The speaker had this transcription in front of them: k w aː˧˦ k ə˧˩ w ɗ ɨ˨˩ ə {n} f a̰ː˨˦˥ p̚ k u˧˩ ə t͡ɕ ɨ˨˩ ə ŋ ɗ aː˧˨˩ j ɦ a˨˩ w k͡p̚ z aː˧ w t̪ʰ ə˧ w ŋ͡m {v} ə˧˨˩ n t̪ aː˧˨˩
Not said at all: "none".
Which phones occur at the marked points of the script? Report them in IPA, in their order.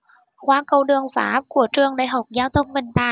ŋ, v

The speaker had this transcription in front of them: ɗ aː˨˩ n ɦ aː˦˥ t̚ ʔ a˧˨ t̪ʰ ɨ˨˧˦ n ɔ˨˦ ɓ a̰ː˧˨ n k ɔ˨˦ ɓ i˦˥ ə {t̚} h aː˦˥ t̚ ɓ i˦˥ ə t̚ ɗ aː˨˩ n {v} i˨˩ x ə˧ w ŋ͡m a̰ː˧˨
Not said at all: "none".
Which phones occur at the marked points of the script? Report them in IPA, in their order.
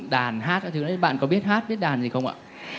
t̚, z

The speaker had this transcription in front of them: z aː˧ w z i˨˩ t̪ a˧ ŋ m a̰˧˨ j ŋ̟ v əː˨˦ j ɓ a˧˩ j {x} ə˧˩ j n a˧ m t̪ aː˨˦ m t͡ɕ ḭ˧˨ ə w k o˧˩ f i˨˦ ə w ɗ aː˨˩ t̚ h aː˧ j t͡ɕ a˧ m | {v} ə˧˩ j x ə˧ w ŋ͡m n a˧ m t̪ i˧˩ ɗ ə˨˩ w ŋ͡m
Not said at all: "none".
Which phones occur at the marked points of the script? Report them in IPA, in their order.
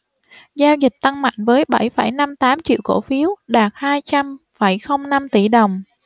f, f

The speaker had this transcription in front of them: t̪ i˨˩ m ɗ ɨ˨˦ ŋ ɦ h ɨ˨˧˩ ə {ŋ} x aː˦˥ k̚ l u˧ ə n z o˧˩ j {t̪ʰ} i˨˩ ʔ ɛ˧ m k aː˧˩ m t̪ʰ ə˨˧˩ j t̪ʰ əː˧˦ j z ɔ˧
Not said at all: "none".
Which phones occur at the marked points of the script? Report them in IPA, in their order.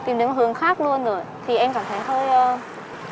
ŋ, t̪ʰ

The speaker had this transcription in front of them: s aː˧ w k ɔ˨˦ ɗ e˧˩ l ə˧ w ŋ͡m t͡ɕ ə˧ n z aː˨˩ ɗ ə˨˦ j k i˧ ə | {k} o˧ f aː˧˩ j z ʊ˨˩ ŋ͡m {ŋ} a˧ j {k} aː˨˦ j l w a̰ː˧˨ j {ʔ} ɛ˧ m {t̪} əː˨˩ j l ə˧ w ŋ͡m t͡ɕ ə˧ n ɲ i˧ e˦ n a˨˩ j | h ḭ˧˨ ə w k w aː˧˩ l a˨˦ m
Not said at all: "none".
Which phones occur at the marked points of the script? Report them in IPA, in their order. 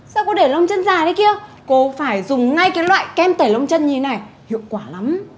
k, ŋ, k, k, t̪

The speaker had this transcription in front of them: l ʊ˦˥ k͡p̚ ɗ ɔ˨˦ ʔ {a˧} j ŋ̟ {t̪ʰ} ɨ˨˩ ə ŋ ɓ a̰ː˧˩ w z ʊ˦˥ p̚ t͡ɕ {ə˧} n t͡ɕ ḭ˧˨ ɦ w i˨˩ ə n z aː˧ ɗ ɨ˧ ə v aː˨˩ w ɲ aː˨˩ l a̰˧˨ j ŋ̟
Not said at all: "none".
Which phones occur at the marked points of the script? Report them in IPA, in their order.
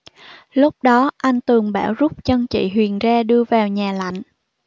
a˧, t̪, ə˧

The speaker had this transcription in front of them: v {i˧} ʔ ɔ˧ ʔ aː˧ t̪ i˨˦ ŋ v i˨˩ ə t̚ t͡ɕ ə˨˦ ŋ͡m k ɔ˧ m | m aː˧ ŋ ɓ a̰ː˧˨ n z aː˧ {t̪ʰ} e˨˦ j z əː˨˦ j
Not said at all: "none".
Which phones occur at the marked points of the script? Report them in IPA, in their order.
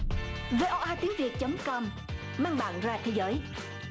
e˧, t̪ʰ

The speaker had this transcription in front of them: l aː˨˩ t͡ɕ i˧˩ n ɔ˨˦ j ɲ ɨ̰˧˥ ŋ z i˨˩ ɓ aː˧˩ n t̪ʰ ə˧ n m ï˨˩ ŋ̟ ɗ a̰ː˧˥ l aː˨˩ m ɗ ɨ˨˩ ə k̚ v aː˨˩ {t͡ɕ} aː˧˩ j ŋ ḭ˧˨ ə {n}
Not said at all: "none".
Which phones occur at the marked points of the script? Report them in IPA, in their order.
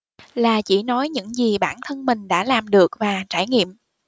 t͡ɕ, m

